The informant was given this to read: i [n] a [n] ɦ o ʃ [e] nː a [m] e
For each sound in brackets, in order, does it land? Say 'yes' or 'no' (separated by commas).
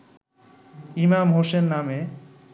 no, no, yes, yes